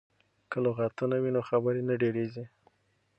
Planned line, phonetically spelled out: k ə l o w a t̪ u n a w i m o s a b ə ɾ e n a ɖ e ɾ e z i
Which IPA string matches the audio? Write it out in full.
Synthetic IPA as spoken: k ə l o ɣ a t̪ u n a w i n o x a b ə ɾ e n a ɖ e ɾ e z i